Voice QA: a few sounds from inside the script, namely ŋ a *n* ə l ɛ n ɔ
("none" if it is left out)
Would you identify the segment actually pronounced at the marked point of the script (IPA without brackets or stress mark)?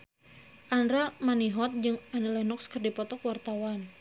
n